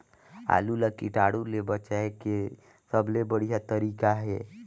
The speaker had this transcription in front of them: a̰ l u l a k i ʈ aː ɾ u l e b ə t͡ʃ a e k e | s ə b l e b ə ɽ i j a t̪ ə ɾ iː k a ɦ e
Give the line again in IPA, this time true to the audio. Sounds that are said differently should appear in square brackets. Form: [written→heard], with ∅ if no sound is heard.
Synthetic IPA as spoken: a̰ l u l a k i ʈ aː [ɾ→ɽ] u l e b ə t͡ʃ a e k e | s ə b l e b ə ɽ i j a t̪ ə ɾ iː k a ɦ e